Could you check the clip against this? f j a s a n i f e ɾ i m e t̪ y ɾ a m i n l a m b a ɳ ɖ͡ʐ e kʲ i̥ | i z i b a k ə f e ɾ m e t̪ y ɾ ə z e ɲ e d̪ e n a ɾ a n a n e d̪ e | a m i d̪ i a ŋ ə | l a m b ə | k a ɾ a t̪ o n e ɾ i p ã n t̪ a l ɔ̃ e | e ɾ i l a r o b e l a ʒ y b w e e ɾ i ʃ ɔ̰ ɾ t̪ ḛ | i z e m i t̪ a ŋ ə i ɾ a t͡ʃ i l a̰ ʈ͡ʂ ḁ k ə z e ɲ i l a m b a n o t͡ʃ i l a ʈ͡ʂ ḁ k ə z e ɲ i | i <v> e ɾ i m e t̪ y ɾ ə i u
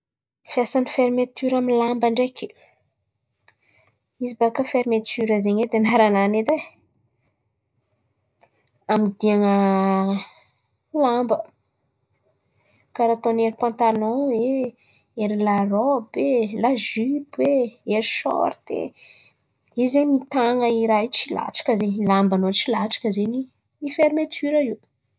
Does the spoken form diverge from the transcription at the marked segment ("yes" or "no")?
yes